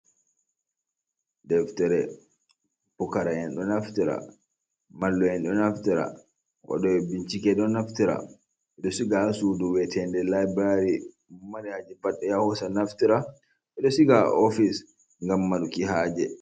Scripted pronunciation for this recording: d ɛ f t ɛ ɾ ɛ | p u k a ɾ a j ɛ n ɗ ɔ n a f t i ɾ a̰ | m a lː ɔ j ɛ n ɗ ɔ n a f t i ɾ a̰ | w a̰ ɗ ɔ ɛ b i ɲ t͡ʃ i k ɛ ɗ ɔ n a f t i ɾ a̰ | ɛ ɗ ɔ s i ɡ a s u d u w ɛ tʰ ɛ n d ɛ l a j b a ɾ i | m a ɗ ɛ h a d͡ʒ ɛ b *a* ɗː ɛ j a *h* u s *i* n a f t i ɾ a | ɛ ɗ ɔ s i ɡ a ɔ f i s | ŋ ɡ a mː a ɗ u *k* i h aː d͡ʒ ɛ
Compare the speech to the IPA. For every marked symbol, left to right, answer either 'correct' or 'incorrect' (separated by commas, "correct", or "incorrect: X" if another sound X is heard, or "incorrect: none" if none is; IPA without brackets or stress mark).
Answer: correct, correct, incorrect: a, correct